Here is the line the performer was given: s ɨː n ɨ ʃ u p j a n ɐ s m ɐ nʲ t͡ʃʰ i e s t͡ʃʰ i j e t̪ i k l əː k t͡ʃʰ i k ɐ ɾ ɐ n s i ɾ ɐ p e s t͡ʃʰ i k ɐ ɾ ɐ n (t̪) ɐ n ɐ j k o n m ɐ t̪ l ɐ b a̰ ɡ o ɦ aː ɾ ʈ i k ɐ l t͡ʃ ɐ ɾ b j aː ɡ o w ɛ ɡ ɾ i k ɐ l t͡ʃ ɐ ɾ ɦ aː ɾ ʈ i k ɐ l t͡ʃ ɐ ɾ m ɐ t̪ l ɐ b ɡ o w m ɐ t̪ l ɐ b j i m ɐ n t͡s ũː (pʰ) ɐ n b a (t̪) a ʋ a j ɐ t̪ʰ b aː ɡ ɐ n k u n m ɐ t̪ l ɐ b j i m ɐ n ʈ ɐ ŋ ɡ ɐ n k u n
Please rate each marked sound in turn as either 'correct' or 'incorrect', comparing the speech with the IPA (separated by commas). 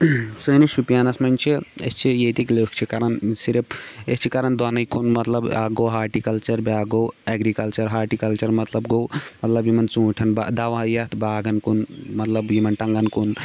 incorrect, incorrect, incorrect